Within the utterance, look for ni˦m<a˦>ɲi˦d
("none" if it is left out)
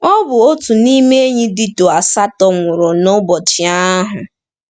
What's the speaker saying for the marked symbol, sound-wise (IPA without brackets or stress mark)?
e˦